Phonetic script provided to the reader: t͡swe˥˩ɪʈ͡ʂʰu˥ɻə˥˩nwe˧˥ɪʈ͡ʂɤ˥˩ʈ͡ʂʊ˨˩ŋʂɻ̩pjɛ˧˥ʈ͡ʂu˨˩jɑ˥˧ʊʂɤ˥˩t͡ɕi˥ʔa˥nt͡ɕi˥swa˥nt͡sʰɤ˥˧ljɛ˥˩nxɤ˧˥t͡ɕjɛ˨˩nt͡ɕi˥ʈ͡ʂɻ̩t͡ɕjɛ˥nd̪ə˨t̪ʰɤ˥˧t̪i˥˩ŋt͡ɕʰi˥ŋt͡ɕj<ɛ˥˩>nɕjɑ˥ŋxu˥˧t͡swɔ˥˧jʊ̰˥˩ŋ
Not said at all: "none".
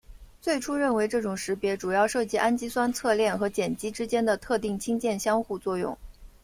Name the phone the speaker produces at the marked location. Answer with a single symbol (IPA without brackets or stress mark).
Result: ɛ˥˩